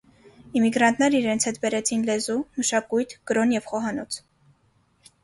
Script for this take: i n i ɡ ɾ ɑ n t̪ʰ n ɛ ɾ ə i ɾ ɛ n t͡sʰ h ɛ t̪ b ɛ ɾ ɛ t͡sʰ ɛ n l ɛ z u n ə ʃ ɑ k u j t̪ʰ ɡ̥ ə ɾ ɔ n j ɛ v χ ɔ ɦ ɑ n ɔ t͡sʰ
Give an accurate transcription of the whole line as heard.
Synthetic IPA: i m i ɡ ɾ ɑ n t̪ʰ n ɛ ɾ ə i ɾ ɛ n t͡sʰ h ɛ t̪ b ɛ ɾ ɛ t͡sʰ i n l ɛ z u m ə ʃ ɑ k u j t̪ʰ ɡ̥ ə ɾ ɔ n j ɛ v χ ɔ ɦ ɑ n ɔ t͡sʰ